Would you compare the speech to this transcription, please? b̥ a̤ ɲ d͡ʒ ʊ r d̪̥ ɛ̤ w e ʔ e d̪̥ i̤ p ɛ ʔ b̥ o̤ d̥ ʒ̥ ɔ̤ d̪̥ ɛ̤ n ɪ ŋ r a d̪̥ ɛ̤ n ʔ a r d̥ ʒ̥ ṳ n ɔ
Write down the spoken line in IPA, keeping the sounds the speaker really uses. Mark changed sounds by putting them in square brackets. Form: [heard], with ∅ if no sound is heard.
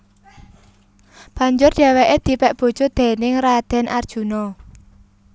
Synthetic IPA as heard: b̥ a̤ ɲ d͡ʒ ʊ r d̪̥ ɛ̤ w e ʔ e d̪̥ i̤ p ɛ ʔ b̥ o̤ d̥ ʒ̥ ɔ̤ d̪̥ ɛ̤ n ɪ ŋ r a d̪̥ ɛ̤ n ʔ a r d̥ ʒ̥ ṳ n ɔ